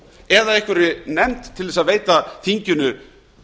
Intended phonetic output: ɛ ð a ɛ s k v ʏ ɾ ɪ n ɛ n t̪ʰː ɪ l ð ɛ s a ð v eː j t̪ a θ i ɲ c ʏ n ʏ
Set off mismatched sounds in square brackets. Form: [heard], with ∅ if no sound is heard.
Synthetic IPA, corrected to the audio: ɛ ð a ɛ [h] k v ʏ ɾ ɪ n ɛ [m] t̪ʰː ɪ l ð ɛ s a ð v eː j t̪ a θ i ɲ c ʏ n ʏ